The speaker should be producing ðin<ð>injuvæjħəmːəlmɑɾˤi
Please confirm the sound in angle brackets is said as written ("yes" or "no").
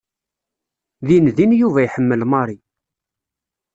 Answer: yes